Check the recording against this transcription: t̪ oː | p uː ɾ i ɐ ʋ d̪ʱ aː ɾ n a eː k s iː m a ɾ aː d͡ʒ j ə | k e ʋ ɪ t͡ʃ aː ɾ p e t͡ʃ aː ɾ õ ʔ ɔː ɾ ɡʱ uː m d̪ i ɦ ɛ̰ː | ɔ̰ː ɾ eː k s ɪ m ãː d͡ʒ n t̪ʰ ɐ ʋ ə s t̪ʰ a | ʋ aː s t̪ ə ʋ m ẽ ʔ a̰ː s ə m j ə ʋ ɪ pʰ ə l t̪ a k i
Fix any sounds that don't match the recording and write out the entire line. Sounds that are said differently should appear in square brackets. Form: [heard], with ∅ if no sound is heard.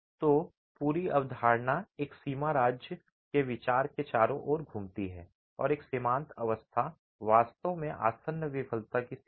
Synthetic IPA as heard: t̪ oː | p uː ɾ i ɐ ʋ d̪ʱ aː ɾ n a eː k s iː m a ɾ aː d͡ʒ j ə | k e ʋ ɪ t͡ʃ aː ɾ [k] e t͡ʃ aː ɾ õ ʔ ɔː ɾ ɡʱ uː m [t̪] i ɦ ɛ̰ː | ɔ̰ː ɾ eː k s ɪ m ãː [∅] n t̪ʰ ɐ ʋ ə s t̪ʰ a | ʋ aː s t̪ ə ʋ m ẽ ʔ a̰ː s ə [n] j ə ʋ ɪ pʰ ə l t̪ a k i